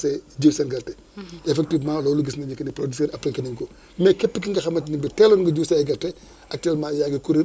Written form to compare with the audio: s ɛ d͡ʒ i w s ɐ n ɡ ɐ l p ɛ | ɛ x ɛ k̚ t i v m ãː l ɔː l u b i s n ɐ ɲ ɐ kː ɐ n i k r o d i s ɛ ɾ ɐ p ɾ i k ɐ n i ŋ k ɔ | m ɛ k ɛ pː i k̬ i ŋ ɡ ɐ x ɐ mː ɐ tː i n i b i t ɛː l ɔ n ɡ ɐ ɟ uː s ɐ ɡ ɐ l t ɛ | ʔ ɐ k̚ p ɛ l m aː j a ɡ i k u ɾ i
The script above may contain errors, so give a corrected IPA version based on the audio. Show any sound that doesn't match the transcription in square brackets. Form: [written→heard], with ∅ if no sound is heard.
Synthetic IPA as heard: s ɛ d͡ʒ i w s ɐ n ɡ ɐ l [p→t] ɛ | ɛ [x→f] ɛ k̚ t i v m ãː l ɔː l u [b→ɡ] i s n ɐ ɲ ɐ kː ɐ n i [k→p] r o d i s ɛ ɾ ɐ p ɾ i k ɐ n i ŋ k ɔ | m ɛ k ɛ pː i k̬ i ŋ ɡ ɐ x ɐ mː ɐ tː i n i b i t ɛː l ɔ n ɡ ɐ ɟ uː s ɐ ɡ ɐ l t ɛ | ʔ ɐ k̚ [p→t] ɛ l m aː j a ɡ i k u ɾ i